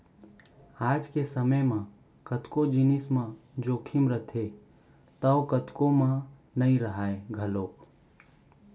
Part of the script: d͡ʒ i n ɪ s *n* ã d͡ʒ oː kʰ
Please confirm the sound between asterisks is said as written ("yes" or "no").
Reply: no